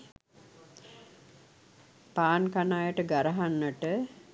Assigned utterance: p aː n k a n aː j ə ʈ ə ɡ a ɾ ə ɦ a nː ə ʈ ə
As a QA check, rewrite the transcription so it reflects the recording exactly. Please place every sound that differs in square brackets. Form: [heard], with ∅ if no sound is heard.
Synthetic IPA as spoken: p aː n k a n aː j ə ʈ ə ɡ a ɾ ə ɦ a nː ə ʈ ə